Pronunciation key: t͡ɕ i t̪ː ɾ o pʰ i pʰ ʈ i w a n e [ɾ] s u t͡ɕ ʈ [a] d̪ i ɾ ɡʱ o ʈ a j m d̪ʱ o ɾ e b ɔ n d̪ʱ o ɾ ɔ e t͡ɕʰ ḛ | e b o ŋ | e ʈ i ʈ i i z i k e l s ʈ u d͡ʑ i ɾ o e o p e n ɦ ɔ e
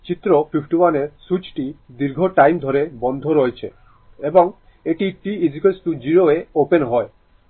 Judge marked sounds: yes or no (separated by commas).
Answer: yes, no